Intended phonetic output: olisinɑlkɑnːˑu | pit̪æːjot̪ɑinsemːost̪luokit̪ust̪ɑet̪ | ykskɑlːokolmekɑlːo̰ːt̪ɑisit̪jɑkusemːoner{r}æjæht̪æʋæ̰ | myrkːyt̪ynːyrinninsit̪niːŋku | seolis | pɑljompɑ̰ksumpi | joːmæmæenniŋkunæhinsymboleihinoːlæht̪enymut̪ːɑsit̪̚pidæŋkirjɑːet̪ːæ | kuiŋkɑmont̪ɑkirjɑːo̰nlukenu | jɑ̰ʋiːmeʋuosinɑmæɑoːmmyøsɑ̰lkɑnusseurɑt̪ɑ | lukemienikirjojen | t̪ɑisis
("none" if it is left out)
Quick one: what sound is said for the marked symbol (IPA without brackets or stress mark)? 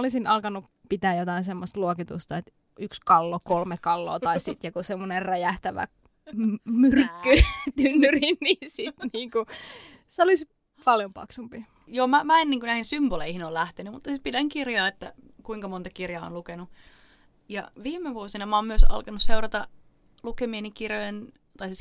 r